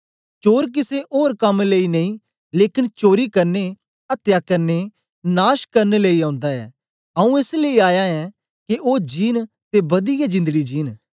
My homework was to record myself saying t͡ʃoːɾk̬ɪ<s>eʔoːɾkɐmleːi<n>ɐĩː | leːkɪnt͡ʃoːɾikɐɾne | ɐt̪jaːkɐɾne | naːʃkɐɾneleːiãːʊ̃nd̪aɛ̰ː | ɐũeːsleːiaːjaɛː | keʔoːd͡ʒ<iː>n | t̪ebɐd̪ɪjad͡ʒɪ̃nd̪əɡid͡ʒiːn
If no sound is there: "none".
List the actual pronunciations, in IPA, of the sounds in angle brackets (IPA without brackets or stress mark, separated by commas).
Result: s, n, iː